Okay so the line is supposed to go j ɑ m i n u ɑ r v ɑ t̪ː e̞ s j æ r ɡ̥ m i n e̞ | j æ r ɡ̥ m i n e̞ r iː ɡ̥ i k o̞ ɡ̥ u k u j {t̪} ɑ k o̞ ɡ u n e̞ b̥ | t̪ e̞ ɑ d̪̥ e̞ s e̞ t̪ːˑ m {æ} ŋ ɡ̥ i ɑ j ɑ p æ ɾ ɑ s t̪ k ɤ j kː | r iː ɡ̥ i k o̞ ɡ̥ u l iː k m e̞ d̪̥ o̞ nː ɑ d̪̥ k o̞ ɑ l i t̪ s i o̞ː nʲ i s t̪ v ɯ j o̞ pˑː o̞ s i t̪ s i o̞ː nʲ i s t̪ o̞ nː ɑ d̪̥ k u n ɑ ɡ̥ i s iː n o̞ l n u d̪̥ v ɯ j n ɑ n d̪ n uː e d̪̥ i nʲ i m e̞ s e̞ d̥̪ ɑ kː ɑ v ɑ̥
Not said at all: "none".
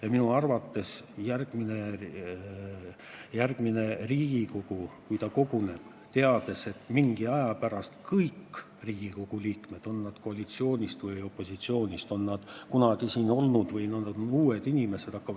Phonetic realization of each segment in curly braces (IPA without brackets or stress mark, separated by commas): t̪, i